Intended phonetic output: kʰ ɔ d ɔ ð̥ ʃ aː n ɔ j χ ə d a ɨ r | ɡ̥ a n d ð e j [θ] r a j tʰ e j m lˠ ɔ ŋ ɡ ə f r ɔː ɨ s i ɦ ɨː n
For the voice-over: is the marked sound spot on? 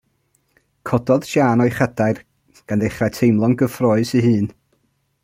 no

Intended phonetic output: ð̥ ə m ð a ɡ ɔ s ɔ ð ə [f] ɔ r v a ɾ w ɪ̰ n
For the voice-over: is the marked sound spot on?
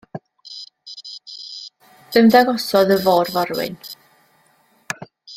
no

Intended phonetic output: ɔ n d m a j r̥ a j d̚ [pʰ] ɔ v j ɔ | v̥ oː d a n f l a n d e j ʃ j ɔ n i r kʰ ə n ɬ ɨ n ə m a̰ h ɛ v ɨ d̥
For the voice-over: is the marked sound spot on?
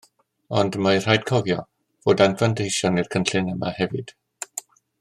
no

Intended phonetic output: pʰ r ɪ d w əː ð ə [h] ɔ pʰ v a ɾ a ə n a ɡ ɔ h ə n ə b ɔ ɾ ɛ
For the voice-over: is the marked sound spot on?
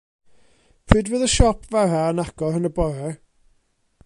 no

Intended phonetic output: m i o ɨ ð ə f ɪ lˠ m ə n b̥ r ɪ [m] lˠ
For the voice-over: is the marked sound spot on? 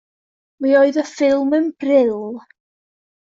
no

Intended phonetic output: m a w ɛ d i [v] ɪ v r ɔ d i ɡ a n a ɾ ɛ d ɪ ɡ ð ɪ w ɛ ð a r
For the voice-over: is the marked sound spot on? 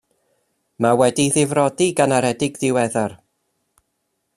no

